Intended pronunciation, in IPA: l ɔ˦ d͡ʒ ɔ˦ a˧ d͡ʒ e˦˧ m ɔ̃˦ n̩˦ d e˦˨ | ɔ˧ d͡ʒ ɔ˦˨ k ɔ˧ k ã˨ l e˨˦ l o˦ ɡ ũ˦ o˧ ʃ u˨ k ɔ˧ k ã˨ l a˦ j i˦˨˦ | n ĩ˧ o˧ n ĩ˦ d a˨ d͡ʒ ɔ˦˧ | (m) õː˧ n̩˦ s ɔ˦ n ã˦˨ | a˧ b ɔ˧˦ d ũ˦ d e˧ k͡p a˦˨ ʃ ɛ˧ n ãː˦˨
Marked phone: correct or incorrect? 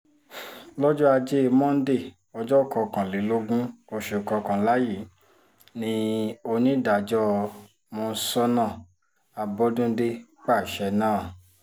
correct